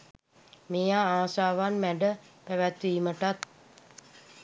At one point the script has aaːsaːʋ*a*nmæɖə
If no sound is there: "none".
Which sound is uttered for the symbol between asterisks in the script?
a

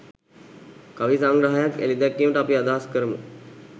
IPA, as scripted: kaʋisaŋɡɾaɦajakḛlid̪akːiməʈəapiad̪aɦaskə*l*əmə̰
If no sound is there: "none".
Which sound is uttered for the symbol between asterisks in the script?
ɾ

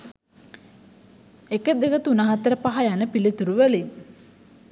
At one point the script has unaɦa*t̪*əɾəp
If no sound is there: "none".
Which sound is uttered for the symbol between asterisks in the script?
t̪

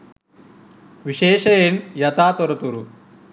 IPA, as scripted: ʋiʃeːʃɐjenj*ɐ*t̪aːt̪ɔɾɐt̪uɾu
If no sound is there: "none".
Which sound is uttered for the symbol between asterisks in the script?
ɐ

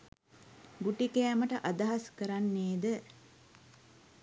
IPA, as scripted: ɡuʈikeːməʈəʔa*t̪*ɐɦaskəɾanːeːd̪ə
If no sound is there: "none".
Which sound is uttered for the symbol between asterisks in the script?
d̪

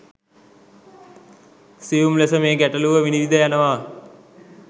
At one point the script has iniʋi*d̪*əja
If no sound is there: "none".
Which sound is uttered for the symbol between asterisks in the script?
d̪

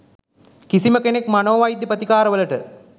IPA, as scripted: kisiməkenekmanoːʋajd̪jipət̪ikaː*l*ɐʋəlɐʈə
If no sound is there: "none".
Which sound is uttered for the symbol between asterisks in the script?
ɾ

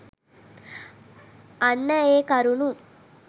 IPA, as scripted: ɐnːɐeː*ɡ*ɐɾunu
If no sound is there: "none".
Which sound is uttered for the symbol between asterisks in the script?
k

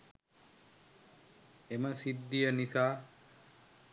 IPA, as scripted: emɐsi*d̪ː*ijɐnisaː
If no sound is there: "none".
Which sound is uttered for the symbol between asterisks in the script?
d̪ː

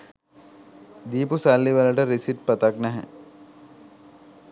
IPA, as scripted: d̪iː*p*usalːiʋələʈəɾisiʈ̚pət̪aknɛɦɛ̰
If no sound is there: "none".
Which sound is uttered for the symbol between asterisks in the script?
p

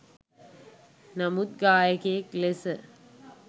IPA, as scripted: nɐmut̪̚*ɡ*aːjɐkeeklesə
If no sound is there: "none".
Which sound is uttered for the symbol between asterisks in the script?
ɡ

